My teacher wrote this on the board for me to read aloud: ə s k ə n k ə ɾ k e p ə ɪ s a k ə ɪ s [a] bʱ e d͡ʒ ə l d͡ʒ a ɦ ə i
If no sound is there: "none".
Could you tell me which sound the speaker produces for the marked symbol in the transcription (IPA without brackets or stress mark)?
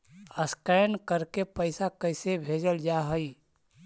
e